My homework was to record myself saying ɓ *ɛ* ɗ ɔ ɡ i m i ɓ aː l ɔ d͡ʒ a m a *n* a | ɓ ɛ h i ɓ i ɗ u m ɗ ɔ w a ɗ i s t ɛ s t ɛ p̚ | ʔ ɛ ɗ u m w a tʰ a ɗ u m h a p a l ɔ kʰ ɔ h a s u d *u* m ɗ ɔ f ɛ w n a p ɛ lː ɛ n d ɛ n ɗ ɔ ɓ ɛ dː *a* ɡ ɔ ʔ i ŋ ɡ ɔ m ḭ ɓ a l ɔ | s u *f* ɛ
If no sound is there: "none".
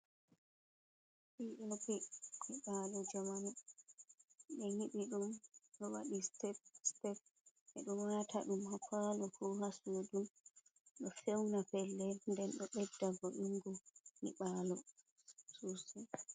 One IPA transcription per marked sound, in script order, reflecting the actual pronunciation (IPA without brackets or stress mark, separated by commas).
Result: i, n, u, a, s